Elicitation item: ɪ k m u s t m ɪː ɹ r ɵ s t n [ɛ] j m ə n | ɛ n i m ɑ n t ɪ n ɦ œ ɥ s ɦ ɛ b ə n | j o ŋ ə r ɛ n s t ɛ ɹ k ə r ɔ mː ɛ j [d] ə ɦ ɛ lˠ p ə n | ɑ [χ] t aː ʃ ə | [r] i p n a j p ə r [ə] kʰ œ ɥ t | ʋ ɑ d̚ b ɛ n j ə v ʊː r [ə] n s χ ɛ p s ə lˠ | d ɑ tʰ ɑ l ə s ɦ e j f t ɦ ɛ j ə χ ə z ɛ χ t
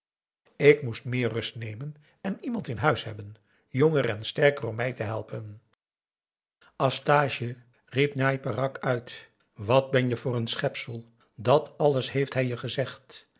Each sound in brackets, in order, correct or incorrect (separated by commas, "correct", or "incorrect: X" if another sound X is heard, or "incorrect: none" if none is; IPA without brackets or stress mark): incorrect: e, incorrect: t, incorrect: s, correct, incorrect: ɑ, correct